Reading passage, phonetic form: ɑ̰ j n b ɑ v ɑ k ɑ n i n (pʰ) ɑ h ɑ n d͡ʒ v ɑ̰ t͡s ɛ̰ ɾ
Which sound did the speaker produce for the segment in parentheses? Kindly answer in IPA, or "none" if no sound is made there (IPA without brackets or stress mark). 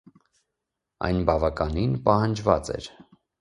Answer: p